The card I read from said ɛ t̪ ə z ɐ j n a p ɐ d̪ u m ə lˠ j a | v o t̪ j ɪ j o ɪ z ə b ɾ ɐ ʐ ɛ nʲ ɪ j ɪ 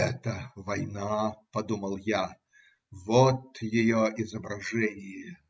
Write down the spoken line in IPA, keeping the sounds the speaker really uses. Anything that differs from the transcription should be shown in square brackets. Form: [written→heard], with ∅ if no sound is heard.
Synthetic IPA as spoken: ɛ t̪ ə [z→v] ɐ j n a p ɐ d̪ u m ə lˠ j a | v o t̪ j ɪ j o ɪ z ə b ɾ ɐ ʐ ɛ nʲ ɪ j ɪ